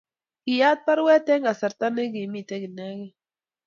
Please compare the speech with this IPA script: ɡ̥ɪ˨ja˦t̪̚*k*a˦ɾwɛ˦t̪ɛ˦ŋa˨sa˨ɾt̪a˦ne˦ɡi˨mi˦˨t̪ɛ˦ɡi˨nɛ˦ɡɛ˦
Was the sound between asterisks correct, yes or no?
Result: no